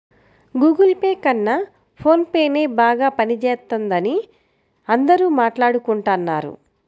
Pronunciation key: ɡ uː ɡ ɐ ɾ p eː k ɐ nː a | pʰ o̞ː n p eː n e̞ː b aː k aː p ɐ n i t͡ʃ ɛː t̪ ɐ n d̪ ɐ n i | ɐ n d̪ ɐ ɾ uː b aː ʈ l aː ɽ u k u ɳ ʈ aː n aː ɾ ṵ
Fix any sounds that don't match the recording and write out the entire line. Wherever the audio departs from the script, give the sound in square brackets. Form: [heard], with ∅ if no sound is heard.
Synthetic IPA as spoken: ɡ uː ɡ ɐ [l] p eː k ɐ nː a | pʰ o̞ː n p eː n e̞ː b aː [ɡ] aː p ɐ n i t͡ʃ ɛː t̪ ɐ n d̪ ɐ n i | ɐ n d̪ ɐ ɾ uː [m] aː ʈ l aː ɽ u k u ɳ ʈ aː [nː] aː ɾ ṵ